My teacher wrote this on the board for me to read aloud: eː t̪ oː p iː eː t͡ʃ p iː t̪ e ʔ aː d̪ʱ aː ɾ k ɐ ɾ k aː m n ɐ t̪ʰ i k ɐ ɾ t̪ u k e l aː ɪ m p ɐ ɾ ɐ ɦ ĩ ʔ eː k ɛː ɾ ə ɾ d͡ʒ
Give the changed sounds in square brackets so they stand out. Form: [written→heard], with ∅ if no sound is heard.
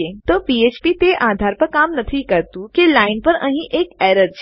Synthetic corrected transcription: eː t̪ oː p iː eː t͡ʃ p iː t̪ e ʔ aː d̪ʱ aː ɾ [k→p] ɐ ɾ k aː m n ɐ t̪ʰ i k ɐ ɾ t̪ u k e l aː ɪ [m→n] p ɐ ɾ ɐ ɦ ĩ ʔ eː k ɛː ɾ ə ɾ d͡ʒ

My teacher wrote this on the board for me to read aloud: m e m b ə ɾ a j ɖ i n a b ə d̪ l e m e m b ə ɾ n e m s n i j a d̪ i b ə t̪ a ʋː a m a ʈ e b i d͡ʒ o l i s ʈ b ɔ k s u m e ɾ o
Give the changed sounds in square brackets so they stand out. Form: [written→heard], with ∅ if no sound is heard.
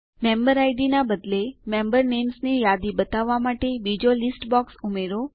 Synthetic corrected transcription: m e m b ə ɾ a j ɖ i n a b ə d̪ l e m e m b ə ɾ n e m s n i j a d̪ i b ə t̪ a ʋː a m a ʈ e b i d͡ʒ o l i s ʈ b ɔ k s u m e ɾ o

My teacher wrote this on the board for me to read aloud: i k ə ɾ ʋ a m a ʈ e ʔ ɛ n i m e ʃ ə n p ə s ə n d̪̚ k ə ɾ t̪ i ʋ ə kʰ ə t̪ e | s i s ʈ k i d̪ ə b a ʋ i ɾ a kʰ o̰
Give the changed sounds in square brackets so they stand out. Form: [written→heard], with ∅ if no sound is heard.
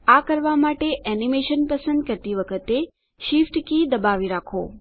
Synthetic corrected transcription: [i→a] k ə ɾ ʋ a m a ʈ e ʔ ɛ n i m e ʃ ə n p ə s ə n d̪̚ k ə ɾ t̪ i ʋ ə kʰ ə t̪ e | [s→ʃ] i [s→f] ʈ k i d̪ ə b a ʋ i ɾ a kʰ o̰

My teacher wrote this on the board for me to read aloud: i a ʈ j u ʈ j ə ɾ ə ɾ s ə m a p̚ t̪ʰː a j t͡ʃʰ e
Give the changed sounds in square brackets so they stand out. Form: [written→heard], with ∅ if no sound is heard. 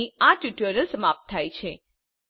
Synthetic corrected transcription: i a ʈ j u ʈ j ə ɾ ə [ɾ→l] s ə m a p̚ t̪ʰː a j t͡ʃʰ e

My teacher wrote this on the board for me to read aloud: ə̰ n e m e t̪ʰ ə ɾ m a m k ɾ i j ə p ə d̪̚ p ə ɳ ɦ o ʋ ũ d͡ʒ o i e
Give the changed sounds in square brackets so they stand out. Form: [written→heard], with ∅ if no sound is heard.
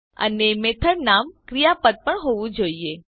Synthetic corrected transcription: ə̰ n e m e t̪ʰ ə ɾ [m→n] a m k ɾ i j [ə→a] p ə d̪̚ p ə ɳ ɦ o ʋ ũ d͡ʒ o i e

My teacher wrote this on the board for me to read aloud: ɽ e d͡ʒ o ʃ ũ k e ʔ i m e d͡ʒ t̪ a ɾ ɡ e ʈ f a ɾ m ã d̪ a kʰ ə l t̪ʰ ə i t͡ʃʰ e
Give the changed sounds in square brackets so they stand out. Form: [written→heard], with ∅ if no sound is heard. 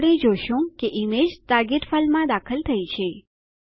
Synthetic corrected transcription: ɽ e d͡ʒ o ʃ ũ k e ʔ i m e d͡ʒ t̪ a ɾ ɡ e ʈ f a [ɾ→l] m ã d̪ a kʰ ə l t̪ʰ ə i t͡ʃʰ e

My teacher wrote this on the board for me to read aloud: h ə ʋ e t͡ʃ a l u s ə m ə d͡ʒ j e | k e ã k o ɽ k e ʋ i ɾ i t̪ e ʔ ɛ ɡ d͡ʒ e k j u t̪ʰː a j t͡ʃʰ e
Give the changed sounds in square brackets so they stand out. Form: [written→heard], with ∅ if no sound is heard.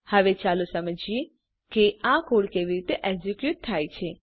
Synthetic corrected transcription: h ə ʋ e t͡ʃ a l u s ə m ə d͡ʒ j e | k e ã k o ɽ k e ʋ i ɾ i t̪ e ʔ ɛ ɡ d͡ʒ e k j u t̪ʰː a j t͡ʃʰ e

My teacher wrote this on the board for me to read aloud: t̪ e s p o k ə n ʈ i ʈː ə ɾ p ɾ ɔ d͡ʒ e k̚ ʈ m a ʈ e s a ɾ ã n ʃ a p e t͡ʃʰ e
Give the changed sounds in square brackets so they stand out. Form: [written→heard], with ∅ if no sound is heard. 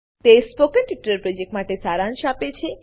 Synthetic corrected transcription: t̪ e s p o k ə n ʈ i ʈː ə ɾ p ɾ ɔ d͡ʒ e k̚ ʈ m a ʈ e s a ɾ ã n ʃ a p e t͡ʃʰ e

